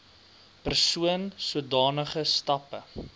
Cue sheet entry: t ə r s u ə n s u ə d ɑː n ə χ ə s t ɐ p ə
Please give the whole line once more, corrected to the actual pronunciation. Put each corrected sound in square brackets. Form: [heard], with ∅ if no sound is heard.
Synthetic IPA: [p] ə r s u ə n s u ə d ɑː n ə χ ə s t ɐ p ə